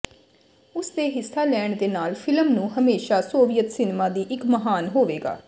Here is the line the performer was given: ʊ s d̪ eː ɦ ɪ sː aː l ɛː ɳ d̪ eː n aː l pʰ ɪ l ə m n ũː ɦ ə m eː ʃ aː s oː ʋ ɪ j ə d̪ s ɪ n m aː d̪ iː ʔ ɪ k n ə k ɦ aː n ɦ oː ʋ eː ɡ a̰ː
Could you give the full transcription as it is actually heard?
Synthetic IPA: ʊ s d̪ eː ɦ ɪ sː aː l ɛː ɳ d̪ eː n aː l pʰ ɪ l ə m n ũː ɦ ə m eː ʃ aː s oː ʋ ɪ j ə t̪ s ɪ n m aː d̪ iː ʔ ɪ k m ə ɦ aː n ɦ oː ʋ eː ɡ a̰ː

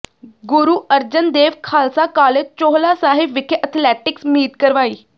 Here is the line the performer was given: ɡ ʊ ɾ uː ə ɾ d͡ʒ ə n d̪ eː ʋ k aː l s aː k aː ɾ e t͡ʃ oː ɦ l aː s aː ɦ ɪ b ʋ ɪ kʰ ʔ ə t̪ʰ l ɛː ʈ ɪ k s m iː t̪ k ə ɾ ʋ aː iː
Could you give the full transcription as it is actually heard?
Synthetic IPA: ɡ ʊ ɾ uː ə ɾ d͡ʒ ə n d̪ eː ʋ kʰ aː l s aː k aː l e t͡ʃ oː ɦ l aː s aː ɦ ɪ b ʋ ɪ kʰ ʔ ə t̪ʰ l ɛː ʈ ɪ k s m iː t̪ k ə ɾ ʋ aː iː

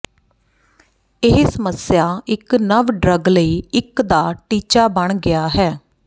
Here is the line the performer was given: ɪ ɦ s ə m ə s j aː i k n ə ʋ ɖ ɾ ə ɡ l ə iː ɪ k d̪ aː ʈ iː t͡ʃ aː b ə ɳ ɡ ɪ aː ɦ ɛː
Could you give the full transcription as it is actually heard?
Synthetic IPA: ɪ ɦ s ə m ə s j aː ɪ k n ə ʋ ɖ ɾ ə ɡ l ə iː ɪ k d̪ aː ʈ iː t͡ʃ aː b ə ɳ ɡ ɪ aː ɦ ɛː

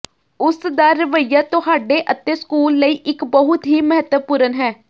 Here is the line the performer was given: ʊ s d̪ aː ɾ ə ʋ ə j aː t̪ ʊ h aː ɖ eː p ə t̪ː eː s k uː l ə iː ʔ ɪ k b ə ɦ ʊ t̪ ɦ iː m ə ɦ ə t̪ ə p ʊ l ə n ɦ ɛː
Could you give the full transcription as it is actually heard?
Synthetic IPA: ʊ s d̪ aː ɾ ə ʋ ə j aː t̪ ʊ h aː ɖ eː ʔ ə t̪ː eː s k uː lː ə iː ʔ ɪ k b ə ɦ ʊ t̪ ɦ iː m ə ɦ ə t̪ ə p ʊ ɾ ə n ɦ ɛː

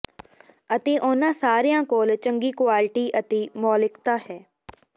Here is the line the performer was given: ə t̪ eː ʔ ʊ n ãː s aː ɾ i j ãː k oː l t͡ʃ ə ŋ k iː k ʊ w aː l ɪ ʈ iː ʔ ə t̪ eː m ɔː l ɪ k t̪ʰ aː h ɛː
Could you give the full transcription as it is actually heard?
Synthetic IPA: ə t̪ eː ʔ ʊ n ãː s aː ɾ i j ãː k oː l t͡ʃ ə ŋ ɡ iː k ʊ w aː l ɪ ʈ iː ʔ ə t̪ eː m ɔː l ɪ k t̪ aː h ɛː

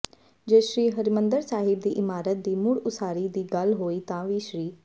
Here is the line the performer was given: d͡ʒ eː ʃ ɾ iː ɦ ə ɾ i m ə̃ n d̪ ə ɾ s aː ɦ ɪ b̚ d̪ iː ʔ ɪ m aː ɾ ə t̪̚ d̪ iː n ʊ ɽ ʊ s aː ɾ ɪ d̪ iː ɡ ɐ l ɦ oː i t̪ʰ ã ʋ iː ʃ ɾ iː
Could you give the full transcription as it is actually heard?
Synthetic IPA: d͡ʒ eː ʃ ɾ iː ɦ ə ɾ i m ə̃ n d̪ ə ɾ s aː ɦ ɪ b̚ d̪ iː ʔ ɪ m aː ɾ ə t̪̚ d̪ iː m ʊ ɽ ʊ s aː ɾ i d̪ iː ɡ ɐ l ɦ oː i t̪ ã ʋ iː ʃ ɾ iː

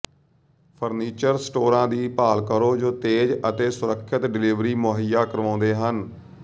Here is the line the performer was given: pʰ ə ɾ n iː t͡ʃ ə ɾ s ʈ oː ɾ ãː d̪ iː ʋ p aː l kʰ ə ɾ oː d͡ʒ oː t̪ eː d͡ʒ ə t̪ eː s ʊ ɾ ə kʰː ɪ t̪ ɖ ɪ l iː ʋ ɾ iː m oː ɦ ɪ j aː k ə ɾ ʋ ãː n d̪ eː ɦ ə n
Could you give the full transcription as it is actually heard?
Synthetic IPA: pʰ ə ɾ n iː t͡ʃ ə ɾ s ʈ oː ɾ ãː d̪ iː p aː l k ə ɾ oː d͡ʒ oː t̪ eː d͡ʒ ə t̪ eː s ʊ ɾ ə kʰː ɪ t̪ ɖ ɪ l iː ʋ ɾ iː m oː ɦ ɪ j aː k ə ɾ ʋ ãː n d̪ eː ɦ ə n

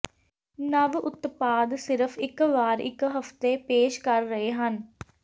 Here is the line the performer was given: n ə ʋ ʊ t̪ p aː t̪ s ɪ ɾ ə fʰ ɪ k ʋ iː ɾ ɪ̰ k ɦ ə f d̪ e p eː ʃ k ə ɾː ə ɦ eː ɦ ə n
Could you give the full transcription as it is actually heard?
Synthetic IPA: n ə ʋ ʊ t̪ p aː d̪ s ɪ ɾ ə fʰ ɪ k ʋ aː ɾ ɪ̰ k ɦ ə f t̪ e p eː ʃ k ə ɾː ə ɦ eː ɦ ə n

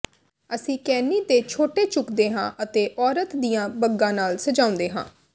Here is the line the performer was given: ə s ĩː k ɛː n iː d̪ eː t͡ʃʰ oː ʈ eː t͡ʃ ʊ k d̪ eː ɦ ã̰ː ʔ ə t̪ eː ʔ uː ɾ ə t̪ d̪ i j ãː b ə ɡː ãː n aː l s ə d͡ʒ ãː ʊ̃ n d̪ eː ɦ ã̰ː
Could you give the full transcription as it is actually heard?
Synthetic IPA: ə s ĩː k ɛː n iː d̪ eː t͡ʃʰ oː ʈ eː t͡ʃ ʊ k d̪ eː ɦ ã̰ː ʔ ə t̪ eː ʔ ɔː ɾ ə t̪ d̪ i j ãː b ə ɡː ãː n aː l s ə d͡ʒ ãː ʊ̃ n d̪ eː ɦ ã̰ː

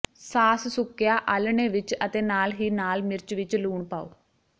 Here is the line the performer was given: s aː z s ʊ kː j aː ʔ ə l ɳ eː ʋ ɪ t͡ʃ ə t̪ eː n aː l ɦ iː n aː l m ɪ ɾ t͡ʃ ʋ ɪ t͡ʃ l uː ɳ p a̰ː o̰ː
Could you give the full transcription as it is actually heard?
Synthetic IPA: s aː s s ʊ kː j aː ʔ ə l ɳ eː ʋ ɪ t͡ʃ ə t̪ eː n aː l ɦ iː n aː l m ɪ ɾ t͡ʃ ʋ ɪ t͡ʃ l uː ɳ p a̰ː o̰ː

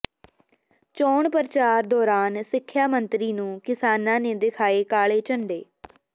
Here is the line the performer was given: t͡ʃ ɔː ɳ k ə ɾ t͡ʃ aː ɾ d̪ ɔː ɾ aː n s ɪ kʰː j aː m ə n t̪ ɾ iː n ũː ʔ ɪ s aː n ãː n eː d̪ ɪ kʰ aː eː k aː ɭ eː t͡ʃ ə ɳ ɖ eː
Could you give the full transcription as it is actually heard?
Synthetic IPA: t͡ʃ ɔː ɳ p ə ɾ t͡ʃ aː ɾ d̪ ɔː ɾ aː n s ɪ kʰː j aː m ə n t̪ ɾ iː n ũː k ɪ s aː n ãː n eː d̪ ɪ kʰ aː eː k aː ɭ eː t͡ʃ ə ɳ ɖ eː

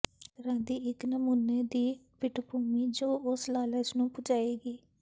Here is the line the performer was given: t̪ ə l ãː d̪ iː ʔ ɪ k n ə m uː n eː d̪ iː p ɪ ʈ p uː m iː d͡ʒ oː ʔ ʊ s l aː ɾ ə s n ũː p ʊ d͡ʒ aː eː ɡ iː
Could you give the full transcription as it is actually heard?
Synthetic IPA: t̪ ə ɾ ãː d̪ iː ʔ ɪ k n ə m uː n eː d̪ iː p ɪ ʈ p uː m iː d͡ʒ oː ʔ ʊ s l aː l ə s n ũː p ʊ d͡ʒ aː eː ɡ iː

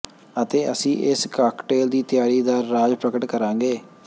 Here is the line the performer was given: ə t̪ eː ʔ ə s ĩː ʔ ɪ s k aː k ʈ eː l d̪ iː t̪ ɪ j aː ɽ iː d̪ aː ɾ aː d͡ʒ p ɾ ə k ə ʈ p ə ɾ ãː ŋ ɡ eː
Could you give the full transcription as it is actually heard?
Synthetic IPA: ə t̪ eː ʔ ə s ĩː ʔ ɪ s k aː k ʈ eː l d̪ iː t̪ ɪ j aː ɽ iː d̪ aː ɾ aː d͡ʒ p ɾ ə k ə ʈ k ə ɾ ãː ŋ ɡ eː

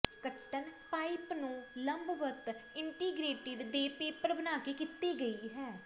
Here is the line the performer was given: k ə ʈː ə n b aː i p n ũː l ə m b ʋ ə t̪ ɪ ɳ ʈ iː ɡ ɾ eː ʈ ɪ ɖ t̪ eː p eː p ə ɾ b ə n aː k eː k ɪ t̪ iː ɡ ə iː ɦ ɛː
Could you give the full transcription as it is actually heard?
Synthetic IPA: k ə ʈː ə n p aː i p n ũː l ə m b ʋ ə t̪ ɪ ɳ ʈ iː ɡ ɾ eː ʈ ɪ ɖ d̪ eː p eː p ə ɾ b ə n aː k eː k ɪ t̪ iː ɡ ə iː ɦ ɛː

